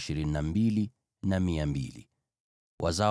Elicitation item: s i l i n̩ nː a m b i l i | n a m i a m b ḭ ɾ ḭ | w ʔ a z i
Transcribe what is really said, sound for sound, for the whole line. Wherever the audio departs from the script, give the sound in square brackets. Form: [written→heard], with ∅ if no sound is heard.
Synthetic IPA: [s→ʃ] i [l→ɾ] i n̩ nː a m b i l i | n a m i a m b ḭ [ɾ→l] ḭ | w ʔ a z [i→a]

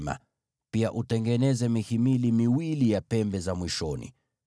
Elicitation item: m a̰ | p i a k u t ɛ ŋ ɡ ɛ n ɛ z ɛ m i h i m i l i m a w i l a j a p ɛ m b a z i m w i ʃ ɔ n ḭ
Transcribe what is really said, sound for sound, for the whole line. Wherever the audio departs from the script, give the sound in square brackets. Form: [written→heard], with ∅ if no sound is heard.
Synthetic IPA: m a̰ | p i a [k→ʔ] u t ɛ ŋ ɡ ɛ n ɛ z ɛ m i h i m i l i m [a→i] w i l [a→i] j a p ɛ m b [a→ɛ] z [i→a] m w i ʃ ɔ n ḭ

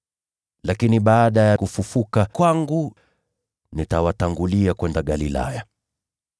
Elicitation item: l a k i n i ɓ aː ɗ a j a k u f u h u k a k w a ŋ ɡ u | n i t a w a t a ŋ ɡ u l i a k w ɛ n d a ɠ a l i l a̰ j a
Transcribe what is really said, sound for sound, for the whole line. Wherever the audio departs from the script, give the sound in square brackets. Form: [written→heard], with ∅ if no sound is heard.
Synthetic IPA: l a k i n i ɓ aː ɗ a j a k u f u [h→f] u k a k w a ŋ ɡ u | n i t a w a t a ŋ ɡ u l i a k w ɛ n d a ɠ a l i l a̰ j a

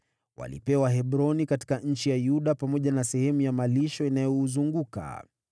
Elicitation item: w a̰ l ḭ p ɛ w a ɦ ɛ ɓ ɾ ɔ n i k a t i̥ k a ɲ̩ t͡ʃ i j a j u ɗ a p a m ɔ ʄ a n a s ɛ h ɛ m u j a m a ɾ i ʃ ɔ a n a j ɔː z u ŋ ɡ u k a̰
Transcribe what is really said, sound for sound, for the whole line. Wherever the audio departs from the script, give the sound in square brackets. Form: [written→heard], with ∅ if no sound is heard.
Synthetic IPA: w a̰ l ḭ p ɛ w a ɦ ɛ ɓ ɾ ɔ n i k a t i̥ k a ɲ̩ t͡ʃ i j a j u ɗ a p a m ɔ ʄ a n a s ɛ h ɛ m u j a m a [ɾ→l] i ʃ ɔ [a→i] n a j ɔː z u ŋ ɡ u k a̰

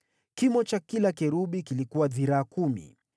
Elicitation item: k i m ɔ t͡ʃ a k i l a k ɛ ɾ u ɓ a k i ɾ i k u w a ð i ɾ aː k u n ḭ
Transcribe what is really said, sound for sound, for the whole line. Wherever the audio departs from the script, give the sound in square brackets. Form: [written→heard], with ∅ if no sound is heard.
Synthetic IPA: k i m ɔ t͡ʃ a k i l a k ɛ ɾ u ɓ [a→i] k i [ɾ→l] i k u w a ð i ɾ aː k u [n→m] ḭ

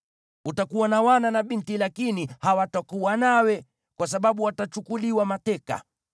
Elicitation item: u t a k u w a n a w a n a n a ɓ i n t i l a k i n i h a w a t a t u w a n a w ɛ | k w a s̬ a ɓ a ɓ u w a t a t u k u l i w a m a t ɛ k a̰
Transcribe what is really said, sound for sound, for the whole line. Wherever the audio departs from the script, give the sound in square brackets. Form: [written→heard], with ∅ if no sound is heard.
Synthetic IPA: u t a k u w a n a w a n a n a ɓ i n t i l a k i n i h a w a t a [t→k] u w a n a w ɛ | k w a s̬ a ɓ a ɓ u w a t a [t→t͡ʃ] u k u l i w a m a t ɛ k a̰

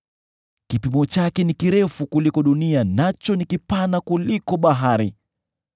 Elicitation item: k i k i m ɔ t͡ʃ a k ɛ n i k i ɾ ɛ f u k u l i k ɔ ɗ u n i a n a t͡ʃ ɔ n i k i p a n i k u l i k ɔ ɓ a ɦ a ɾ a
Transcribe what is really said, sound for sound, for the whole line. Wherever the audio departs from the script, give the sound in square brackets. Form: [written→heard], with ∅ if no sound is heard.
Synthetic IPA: k i [k→p] i m ɔ t͡ʃ a k ɛ n i k i ɾ ɛ f u k u l i k ɔ ɗ u n i a n a t͡ʃ ɔ n i k i p a n [i→a] k u l i k ɔ ɓ a ɦ a ɾ [a→i]

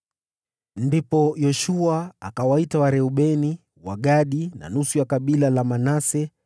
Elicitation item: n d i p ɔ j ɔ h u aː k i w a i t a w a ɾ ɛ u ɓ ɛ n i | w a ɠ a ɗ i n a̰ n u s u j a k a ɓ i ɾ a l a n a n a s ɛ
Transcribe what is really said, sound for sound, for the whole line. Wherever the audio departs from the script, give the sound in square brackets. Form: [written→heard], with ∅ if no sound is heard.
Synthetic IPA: n d i p ɔ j ɔ [h→ʃ] u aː k [i→a] w a i t a w a ɾ ɛ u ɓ ɛ n i | w a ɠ a ɗ i n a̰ n u s u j a k a ɓ i [ɾ→l] a l a [n→m] a n a s ɛ

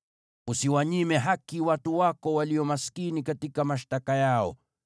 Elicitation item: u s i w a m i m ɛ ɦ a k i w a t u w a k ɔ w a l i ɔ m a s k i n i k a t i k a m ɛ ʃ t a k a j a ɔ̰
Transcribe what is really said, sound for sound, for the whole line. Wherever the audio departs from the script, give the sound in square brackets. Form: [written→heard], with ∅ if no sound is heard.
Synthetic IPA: u s i w a [m→ɲ] i m ɛ ɦ a k i w a t u w a k ɔ w a l i ɔ m a s k i n i k a t i k a m [ɛ→a] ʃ t a k a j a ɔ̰

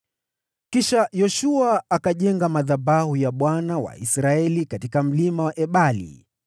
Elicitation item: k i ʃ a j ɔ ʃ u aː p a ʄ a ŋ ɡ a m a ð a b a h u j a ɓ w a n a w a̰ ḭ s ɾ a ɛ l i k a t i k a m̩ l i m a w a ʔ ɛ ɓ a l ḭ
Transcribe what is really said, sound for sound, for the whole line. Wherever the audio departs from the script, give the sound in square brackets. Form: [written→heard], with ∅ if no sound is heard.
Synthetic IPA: k i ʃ a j ɔ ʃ u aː [p→k] a ʄ [a→ɛ] ŋ ɡ a m a ð a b a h u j a ɓ w a n a w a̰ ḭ s ɾ a ɛ l i k a t i k a m̩ l i m a w a ʔ ɛ ɓ a l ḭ

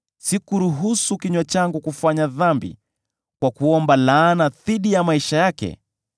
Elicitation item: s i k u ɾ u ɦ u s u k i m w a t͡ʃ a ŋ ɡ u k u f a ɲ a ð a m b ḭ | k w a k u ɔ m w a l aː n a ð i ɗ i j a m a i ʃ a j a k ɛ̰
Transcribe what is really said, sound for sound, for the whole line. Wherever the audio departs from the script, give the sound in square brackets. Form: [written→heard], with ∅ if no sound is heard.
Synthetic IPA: s i k u ɾ u ɦ u s u k i [m→ɲ] w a t͡ʃ a ŋ ɡ u k u f a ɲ a ð a m b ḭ | k w a k u ɔ m [w→b] a l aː n a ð i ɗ i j a m a i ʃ a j a k ɛ̰

